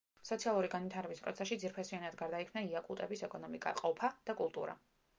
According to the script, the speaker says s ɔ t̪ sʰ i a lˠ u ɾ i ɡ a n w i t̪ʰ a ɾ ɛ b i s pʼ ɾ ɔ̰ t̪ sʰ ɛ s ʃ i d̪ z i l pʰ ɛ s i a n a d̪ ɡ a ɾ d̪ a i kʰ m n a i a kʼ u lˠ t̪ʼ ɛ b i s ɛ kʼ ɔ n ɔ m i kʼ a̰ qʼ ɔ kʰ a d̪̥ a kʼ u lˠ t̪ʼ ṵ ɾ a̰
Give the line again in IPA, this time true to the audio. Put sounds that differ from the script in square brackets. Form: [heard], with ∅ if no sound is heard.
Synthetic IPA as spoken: s ɔ t̪ sʰ i a lˠ u ɾ i ɡ a n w i t̪ʰ a ɾ ɛ b i s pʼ ɾ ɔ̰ t̪ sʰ ɛ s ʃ i d̪ z i [ɾ] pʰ ɛ s i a n a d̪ ɡ a ɾ d̪ a i kʰ m n a i a kʼ u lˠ t̪ʼ ɛ b i s ɛ kʼ ɔ n ɔ m i kʼ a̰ qʼ ɔ [pʰ] a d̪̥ a kʼ u lˠ t̪ʼ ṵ ɾ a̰

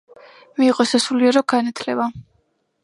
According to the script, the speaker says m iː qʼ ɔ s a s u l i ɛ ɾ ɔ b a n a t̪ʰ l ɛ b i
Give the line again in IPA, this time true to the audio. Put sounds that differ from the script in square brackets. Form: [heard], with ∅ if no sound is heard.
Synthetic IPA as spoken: m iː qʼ ɔ s a s u l i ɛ ɾ ɔ [ɡ] a n a t̪ʰ l ɛ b [a]

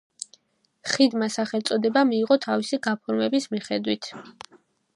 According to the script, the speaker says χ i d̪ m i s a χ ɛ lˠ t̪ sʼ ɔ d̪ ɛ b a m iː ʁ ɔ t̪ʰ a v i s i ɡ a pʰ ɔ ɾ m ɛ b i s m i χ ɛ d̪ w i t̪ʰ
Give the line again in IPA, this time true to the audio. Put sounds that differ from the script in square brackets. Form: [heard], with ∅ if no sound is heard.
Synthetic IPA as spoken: χ i d̪ m [a] s a χ ɛ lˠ t̪ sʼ ɔ d̪ ɛ b a m iː ʁ ɔ t̪ʰ a v i s i ɡ a pʰ ɔ ɾ m ɛ b i s m i χ ɛ d̪ w i t̪ʰ

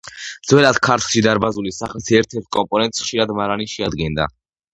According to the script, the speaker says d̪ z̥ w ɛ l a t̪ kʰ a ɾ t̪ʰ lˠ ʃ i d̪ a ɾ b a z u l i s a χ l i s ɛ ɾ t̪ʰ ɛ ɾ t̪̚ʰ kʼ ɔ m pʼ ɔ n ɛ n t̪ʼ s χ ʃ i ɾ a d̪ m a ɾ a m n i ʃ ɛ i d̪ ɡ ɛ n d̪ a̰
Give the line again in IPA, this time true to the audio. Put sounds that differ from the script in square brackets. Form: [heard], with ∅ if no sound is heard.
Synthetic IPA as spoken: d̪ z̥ w ɛ l a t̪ kʰ a ɾ t̪ʰ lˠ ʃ i d̪ a ɾ b a z u l i s a χ l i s ɛ ɾ t̪ʰ ɛ ɾ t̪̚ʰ kʼ ɔ m pʼ ɔ n ɛ n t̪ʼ s χ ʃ i ɾ a d̪ m a ɾ a [∅] n i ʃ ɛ [a] d̪ ɡ ɛ n d̪ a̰

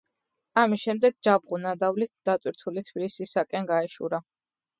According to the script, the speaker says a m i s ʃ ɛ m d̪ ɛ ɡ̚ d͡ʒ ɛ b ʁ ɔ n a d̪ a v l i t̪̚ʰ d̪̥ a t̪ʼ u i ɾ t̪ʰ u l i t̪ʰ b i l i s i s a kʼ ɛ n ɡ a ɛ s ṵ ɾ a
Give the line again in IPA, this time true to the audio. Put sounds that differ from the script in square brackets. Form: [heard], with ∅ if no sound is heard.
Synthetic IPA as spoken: a m i s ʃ ɛ m d̪ ɛ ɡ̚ d͡ʒ [a] b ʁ [u] n a d̪ a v l i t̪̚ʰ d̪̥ a t̪ʼ [w] i ɾ t̪ʰ u l i t̪ʰ b i l i s i s a kʼ ɛ n ɡ a ɛ [ʃ] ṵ ɾ a

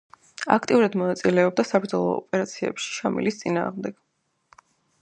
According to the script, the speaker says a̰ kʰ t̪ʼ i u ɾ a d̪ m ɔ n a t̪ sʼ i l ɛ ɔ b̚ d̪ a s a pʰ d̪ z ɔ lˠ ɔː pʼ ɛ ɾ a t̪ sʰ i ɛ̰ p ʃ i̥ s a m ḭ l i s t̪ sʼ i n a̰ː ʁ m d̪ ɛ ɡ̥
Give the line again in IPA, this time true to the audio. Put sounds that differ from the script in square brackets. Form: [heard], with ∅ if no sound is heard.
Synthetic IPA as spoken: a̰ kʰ t̪ʼ i u ɾ a d̪ m ɔ n a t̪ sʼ i l ɛ ɔ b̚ d̪ a s a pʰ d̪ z ɔ lˠ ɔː pʼ ɛ ɾ a t̪ sʰ i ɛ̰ p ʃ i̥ [ʃ] a m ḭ l i s t̪ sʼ i n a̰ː ʁ m d̪ ɛ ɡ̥

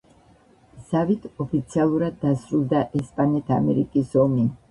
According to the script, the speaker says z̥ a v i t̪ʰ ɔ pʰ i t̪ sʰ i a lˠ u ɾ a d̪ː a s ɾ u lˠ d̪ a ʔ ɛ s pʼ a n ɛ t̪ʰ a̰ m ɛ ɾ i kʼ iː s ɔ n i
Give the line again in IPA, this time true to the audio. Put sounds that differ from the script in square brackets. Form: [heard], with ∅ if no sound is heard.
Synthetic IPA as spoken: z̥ a v i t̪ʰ ɔ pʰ i t̪ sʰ i a lˠ u ɾ a d̪ː a s ɾ u lˠ d̪ a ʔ ɛ s pʼ a n ɛ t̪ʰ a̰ m ɛ ɾ i kʼ [i] s ɔ [m] i

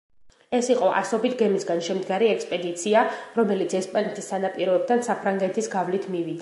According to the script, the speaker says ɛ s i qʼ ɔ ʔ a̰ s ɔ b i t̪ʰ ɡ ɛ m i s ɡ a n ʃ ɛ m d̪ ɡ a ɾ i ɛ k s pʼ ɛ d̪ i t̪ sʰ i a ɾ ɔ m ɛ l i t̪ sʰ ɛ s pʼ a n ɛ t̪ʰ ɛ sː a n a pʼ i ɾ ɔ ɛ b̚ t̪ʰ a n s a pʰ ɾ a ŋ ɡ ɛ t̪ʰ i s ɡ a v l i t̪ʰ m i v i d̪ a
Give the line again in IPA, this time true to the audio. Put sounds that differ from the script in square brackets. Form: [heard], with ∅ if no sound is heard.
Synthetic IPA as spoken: ɛ s i qʼ ɔ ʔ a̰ s ɔ b i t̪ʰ ɡ ɛ m i s ɡ a n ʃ ɛ m d̪ ɡ a ɾ i ɛ k s pʼ ɛ d̪ i t̪ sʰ i a ɾ ɔ m ɛ l i t̪ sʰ ɛ s pʼ a n ɛ t̪ʰ [i] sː a n a pʼ i ɾ ɔ ɛ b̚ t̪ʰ a n s a pʰ ɾ a ŋ ɡ ɛ t̪ʰ i s ɡ a v l i t̪ʰ m i v i d̪ a

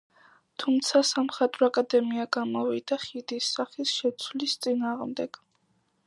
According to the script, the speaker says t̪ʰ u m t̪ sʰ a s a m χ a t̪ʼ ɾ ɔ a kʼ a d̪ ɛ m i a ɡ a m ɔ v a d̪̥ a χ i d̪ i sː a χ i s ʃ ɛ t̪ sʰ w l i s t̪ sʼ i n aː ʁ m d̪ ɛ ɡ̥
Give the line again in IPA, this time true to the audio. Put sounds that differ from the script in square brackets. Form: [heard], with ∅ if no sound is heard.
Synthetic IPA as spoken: t̪ʰ u m t̪ sʰ a s a m χ a t̪ʼ ɾ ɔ a kʼ a d̪ ɛ m i a ɡ a m ɔ v [i] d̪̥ a χ i d̪ i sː a χ i s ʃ ɛ t̪ sʰ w l i s t̪ sʼ i n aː ʁ m d̪ ɛ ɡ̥

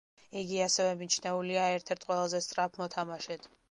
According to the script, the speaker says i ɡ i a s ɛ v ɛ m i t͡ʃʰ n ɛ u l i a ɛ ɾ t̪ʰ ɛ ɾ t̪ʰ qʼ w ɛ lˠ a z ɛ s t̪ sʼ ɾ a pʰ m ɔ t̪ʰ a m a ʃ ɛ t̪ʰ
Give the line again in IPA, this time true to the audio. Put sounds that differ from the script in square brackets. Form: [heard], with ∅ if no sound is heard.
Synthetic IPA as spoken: i ɡ i a s ɛ v ɛ m i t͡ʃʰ n ɛ u l i a ɛ ɾ t̪ʰ ɛ ɾ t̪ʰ qʼ w ɛ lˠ a z ɛ s t̪ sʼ ɾ a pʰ m ɔ t̪ʰ a m a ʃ ɛ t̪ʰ

